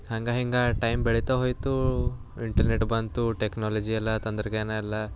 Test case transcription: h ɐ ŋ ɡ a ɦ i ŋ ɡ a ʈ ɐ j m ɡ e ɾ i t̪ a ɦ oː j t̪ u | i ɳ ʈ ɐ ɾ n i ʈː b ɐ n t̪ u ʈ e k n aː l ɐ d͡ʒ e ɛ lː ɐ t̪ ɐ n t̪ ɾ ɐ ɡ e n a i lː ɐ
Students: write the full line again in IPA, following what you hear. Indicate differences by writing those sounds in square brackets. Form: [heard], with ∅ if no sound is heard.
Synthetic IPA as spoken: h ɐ ŋ ɡ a ɦ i ŋ ɡ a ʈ ɐ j m [b] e [ɭ] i t̪ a ɦ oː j t̪ u | i ɳ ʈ ɐ ɾ n [e] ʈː b ɐ n t̪ u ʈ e k n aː l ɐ d͡ʒ [i] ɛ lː ɐ t̪ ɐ n [d̪] ɾ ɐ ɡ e n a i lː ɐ